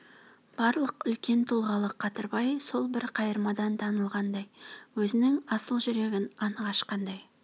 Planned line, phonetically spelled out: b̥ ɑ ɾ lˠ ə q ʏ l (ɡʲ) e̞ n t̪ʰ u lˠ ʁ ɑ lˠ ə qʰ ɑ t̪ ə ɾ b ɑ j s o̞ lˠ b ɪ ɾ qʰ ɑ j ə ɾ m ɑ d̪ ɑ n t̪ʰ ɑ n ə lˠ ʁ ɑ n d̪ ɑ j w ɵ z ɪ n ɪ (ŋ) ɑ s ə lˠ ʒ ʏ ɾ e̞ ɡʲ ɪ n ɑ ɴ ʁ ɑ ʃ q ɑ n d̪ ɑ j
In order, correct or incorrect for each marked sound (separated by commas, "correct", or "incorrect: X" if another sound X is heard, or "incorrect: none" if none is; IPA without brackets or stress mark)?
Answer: incorrect: kʲ, correct